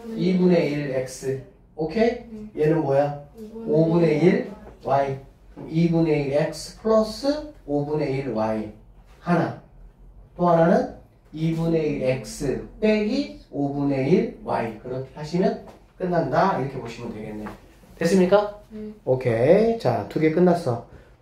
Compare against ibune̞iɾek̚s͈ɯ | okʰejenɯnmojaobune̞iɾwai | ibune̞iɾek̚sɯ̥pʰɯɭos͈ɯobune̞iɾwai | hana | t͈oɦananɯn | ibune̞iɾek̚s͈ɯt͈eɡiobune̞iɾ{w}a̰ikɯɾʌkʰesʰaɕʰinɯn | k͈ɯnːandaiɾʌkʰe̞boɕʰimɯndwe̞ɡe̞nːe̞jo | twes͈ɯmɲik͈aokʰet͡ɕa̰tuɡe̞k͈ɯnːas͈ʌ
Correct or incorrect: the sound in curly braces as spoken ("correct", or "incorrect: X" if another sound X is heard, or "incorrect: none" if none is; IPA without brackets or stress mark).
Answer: correct